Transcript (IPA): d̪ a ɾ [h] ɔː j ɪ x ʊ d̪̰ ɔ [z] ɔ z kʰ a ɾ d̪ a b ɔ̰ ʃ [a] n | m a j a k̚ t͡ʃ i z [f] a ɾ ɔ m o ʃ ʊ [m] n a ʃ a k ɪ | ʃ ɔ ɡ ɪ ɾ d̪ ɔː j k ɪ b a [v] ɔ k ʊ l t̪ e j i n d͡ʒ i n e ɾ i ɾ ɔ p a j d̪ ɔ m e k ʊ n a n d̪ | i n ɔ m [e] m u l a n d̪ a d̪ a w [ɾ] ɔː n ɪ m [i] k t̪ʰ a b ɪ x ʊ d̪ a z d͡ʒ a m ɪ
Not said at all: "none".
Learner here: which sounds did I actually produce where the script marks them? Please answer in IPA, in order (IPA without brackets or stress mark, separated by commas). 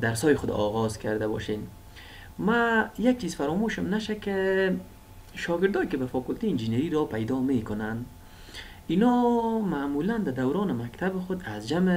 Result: s, ɣ, e, f, m, f, a, ɾ, a